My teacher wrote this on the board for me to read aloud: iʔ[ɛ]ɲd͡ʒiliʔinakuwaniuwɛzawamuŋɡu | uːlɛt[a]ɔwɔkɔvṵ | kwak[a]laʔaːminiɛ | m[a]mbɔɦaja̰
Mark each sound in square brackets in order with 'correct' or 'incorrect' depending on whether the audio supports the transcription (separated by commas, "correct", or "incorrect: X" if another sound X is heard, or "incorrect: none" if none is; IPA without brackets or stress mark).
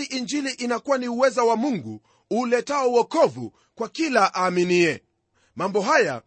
incorrect: i, correct, incorrect: i, correct